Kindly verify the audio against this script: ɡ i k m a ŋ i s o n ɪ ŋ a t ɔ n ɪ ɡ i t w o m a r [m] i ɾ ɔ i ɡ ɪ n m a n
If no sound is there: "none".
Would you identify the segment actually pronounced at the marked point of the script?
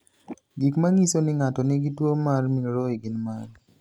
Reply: m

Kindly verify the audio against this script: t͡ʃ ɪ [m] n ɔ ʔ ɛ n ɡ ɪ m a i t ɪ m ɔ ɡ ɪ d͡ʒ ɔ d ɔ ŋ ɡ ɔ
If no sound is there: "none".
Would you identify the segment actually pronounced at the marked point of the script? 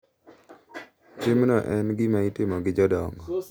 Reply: m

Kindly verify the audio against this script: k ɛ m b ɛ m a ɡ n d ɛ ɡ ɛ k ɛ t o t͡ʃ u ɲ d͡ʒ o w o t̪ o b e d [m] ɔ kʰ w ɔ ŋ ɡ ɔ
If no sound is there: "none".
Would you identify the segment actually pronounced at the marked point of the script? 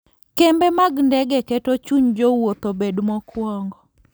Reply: m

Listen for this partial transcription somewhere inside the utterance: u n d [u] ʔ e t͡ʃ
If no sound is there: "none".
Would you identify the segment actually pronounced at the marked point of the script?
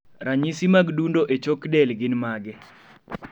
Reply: o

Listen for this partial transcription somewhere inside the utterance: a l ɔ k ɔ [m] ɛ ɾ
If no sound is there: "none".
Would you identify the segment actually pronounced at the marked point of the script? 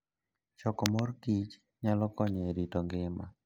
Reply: ɲ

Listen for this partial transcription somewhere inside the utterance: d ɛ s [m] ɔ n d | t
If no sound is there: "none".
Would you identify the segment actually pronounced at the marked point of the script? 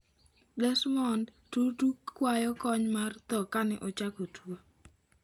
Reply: m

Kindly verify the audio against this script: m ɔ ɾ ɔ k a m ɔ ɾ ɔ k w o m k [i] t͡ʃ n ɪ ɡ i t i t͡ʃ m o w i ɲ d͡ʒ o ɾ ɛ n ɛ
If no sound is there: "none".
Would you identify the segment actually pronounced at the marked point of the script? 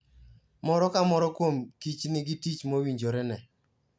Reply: i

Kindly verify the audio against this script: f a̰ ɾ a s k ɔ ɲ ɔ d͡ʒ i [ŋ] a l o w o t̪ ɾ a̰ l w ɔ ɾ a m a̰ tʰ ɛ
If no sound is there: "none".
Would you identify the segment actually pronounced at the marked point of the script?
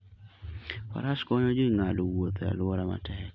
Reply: ŋ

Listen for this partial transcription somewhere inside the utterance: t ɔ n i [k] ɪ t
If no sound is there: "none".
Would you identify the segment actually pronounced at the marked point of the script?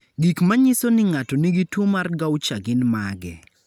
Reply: ɡ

